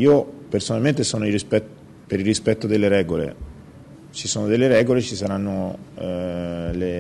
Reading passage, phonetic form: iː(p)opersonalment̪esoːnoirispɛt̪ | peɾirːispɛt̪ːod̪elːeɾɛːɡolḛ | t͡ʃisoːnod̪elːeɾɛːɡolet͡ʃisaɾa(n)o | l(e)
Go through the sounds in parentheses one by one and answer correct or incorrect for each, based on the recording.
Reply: incorrect: none, incorrect: nː, correct

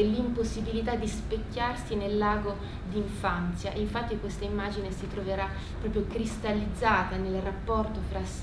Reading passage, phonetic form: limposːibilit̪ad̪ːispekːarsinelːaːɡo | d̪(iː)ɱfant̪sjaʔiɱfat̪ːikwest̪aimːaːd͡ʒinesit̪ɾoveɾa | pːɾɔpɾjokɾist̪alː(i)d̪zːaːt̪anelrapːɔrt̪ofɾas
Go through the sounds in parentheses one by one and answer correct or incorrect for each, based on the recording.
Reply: incorrect: i, correct

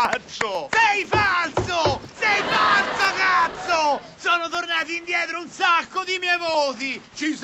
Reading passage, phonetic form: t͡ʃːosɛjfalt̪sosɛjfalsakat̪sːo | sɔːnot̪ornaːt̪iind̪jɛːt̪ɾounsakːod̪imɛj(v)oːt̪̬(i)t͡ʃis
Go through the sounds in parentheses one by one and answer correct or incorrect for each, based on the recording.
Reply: correct, correct

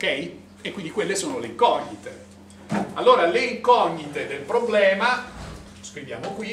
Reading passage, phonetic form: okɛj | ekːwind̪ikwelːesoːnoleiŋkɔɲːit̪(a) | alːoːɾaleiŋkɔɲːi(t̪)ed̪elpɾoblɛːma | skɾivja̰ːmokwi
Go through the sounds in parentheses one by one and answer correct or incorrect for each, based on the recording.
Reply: incorrect: e, correct

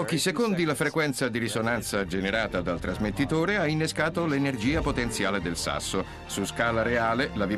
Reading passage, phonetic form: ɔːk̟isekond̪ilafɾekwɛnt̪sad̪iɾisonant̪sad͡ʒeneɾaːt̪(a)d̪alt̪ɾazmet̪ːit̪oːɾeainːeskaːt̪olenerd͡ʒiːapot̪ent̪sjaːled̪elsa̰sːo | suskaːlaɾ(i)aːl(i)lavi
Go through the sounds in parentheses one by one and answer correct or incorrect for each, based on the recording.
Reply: correct, incorrect: e, incorrect: e

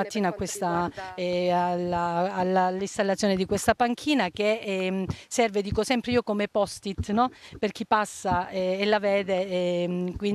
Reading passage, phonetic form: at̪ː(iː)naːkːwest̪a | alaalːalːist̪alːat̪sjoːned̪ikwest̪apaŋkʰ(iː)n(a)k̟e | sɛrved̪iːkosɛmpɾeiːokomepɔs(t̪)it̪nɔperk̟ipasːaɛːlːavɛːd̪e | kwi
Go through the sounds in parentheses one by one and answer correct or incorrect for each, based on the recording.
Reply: correct, correct, correct, correct

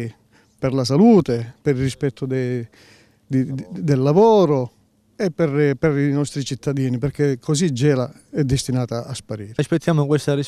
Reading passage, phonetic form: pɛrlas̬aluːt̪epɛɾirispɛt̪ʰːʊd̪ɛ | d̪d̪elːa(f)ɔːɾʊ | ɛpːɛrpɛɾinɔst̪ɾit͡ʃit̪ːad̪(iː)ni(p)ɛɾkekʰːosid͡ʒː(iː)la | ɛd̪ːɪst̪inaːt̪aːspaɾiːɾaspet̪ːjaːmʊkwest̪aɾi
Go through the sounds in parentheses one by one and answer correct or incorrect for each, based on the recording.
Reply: incorrect: v, correct, correct, incorrect: ɛː

